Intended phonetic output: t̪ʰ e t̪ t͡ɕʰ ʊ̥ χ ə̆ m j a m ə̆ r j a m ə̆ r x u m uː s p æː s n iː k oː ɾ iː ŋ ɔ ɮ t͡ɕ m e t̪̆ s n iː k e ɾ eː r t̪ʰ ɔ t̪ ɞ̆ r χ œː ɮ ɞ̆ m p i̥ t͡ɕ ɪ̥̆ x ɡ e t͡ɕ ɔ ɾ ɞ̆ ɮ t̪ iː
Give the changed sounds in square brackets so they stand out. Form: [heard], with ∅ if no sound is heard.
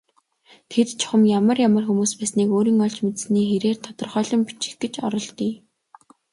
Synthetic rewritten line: t̪ʰ e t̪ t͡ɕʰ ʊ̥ χ ə̆ m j a m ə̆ r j a m ə̆ r x u m uː s p æː s n iː k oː ɾ iː ŋ ɔ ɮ t͡ɕ m e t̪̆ s n iː [x] e ɾ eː r t̪ʰ ɔ t̪ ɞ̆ r χ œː ɮ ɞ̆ m p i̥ t͡ɕ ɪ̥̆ x ɡ e t͡ɕ ɔ ɾ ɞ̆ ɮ t̪ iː